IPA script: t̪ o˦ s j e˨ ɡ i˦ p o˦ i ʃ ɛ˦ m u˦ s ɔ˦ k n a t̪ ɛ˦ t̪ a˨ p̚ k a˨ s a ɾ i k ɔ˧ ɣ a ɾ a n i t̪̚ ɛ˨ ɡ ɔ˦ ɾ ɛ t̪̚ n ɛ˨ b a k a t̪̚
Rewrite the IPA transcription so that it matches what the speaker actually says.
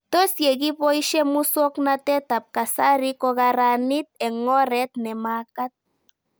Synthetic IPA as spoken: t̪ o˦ s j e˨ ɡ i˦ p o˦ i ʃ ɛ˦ m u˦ s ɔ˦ k n a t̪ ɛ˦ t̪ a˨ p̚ k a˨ s a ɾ i k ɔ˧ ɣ a ɾ a n i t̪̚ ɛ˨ ŋ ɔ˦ ɾ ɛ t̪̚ n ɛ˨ m a k a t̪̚

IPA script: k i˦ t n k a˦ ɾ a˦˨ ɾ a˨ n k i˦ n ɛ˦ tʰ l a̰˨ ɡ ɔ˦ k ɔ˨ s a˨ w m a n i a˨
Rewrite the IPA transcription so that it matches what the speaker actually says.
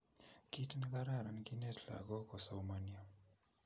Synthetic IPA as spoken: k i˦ t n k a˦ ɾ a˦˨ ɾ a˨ n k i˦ n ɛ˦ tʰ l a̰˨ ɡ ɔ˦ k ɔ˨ s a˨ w m a n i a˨

